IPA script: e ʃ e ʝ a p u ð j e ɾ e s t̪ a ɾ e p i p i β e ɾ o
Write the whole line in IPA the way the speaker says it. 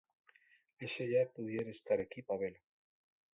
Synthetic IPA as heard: e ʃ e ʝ a p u ð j e ɾ e s t̪ a ɾ e k i p a β e l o

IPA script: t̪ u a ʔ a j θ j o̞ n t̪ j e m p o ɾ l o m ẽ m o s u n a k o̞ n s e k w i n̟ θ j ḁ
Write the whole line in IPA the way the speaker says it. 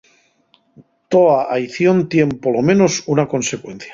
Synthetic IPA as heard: t̪ o a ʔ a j θ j o̞ n t̪ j e m p o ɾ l o m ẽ n o s u n a k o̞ n s e k w e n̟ θ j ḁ

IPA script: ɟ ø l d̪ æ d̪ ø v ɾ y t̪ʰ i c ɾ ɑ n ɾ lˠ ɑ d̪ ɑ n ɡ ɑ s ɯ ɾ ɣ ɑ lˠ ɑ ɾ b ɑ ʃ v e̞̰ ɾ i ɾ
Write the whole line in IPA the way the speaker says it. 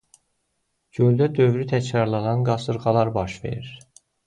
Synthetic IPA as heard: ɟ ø l d̪ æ d̪ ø v ɾ y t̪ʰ æ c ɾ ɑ ɾ lˠ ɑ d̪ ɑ n ɡ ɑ s ɯ ɾ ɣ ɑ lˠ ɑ ɾ b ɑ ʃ v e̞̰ ɾ i ɾ

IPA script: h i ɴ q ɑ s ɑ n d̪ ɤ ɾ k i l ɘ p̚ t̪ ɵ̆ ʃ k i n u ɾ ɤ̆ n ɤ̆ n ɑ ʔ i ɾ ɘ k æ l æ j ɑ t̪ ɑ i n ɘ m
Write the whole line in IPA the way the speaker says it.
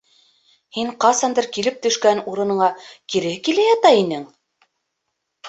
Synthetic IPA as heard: h i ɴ q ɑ s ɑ n d̪ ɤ ɾ k i l ɘ p̚ t̪ ɵ̆ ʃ k æ n u ɾ ɤ̆ n ɤ̆ ɴ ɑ k i ɾ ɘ k i l æ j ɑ t̪ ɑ i n ɘ ŋ

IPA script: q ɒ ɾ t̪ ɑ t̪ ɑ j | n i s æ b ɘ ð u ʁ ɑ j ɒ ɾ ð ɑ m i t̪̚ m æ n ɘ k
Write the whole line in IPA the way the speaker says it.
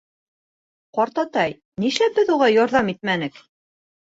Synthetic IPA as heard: q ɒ ɾ t̪ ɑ t̪ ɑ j | n i ʃ æ b ɘ ð u ʁ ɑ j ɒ ɾ ð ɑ m i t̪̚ m æ n ɘ k

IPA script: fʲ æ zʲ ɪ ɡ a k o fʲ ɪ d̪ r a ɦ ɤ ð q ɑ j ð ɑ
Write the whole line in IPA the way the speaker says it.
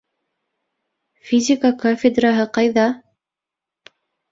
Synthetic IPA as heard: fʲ i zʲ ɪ k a k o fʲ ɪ d̪ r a ɦ ɤ q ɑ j ð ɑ

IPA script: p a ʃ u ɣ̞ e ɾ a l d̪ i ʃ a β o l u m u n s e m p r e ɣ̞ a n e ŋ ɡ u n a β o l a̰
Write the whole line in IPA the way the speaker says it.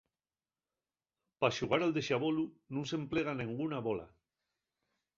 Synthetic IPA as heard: p a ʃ u ɣ̞ a ɾ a l d̪ e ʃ a β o l u n u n s e m p l e ɣ̞ a n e ŋ ɡ u n a β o l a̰

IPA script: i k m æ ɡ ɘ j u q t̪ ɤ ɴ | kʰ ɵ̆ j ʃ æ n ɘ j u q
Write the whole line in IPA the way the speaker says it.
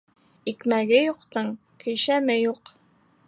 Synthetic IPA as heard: i k m æ ɡ ɘ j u q t̪ ɤ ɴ | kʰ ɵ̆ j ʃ æ m ɘ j u q

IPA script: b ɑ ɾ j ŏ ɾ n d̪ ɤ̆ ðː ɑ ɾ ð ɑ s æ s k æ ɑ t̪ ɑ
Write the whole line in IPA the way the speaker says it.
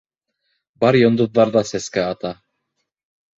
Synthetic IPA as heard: b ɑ ɾ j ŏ n d̪ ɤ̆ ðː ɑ ɾ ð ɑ s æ s k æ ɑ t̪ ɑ

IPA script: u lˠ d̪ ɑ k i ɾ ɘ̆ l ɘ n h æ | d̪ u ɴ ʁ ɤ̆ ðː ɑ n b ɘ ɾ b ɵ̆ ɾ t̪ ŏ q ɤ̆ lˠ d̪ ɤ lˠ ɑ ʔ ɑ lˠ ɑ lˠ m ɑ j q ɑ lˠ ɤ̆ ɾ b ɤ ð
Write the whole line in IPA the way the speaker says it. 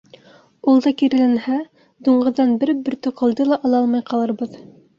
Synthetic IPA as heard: u lˠ d̪ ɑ k i ɾ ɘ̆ l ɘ n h æ | d̪ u ɴ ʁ ɤ̆ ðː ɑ n b ɘ ɾ b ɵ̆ ɾ t̪ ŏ q ɤ̆ lˠ d̪ ɤ lˠ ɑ ʔ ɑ lˠ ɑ lˠ m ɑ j q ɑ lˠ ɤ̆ ɾ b ɤ ð

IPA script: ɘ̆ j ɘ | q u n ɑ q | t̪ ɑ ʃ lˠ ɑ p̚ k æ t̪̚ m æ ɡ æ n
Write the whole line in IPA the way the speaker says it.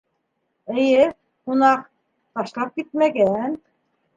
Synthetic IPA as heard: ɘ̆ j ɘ | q u n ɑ q | t̪ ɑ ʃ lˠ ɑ p̚ k i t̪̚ m æ ɡ æ n

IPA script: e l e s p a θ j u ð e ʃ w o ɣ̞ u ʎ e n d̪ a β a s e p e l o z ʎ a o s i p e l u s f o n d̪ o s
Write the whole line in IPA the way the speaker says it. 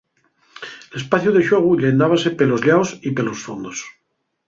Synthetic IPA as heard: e l e s p a θ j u ð e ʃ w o ɣ̞ u ʎ e n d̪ a β a s e p e l o z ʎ a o s i p e l o s f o n d̪ o s

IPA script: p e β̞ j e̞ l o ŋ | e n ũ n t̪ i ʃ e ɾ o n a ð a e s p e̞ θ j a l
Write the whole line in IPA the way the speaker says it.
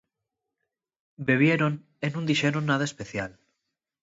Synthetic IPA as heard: b e β̞ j e̞ ɾ o n | e n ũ n d̪ i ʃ e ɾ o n a ð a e s p e̞ θ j a l

